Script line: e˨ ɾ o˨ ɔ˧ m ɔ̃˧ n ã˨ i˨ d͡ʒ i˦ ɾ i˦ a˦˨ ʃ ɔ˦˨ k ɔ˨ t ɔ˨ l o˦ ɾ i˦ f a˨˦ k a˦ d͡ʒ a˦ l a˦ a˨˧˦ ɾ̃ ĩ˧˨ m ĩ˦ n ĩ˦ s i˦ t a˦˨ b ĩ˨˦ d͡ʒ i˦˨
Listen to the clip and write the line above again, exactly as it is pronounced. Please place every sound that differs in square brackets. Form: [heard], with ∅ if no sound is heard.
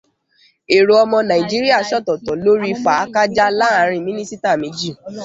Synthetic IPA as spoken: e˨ ɾ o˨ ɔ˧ m ɔ̃˧ n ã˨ i˨ d͡ʒ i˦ ɾ i˦ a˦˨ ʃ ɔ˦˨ [t] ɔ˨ t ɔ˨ l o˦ ɾ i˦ f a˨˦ k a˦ d͡ʒ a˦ l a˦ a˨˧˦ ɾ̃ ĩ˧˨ m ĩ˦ n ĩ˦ s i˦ t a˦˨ [m] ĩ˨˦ d͡ʒ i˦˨